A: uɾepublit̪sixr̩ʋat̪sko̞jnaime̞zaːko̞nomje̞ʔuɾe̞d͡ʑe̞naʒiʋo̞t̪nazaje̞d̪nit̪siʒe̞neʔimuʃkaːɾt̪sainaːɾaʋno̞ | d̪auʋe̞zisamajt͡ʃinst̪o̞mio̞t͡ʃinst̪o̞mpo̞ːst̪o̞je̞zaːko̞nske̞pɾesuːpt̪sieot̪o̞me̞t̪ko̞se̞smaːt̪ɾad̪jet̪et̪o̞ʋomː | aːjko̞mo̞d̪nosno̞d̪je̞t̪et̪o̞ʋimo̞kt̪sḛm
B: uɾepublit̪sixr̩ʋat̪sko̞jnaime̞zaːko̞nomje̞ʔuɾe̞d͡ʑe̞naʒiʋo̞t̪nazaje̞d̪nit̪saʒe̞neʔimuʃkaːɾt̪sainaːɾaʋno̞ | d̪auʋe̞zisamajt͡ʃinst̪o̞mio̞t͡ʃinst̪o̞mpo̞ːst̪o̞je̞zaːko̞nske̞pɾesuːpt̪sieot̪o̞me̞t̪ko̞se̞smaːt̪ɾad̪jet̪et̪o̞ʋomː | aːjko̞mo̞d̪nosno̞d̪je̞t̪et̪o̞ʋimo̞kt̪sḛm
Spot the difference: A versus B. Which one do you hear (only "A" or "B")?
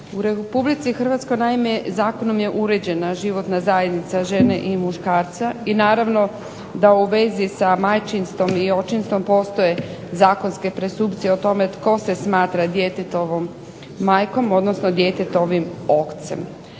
B